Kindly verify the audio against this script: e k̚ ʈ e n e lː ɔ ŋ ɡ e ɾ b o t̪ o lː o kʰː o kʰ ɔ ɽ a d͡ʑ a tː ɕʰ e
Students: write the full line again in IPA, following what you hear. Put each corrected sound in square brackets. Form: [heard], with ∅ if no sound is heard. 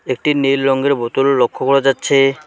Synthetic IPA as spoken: e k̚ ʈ [i] n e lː ɔ ŋ ɡ e ɾ b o t̪ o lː o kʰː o [k] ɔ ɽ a d͡ʑ a tː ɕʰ e